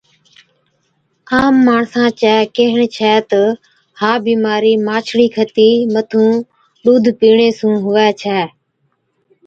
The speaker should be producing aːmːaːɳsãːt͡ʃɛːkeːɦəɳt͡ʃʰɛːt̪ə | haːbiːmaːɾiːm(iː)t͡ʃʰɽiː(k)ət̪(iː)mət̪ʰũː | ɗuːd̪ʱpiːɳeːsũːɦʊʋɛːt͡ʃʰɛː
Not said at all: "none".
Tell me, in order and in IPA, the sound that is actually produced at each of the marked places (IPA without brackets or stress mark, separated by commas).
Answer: aː, kʰ, iː